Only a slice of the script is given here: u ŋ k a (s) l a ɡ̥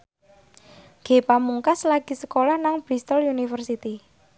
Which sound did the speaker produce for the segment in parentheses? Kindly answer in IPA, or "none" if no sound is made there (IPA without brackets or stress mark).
s